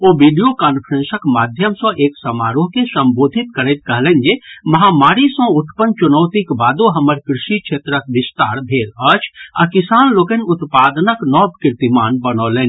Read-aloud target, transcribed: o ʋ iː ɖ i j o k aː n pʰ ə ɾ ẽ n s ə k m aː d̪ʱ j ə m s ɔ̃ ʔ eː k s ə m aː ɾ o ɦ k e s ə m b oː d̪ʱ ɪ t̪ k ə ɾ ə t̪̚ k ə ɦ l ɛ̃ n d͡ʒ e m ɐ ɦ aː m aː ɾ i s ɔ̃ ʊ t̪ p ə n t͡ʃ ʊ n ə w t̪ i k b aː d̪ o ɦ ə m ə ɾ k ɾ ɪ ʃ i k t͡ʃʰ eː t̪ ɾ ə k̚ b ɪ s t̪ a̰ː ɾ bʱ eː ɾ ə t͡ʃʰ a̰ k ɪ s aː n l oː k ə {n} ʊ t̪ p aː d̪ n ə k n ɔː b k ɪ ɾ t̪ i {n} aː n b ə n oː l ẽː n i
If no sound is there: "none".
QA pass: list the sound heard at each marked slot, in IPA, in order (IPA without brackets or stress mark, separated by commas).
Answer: n, m